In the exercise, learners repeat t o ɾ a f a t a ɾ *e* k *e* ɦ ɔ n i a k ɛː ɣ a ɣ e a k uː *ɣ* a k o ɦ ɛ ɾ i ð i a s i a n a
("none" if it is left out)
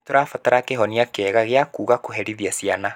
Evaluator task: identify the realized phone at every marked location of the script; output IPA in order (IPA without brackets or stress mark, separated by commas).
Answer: a, e, ɣ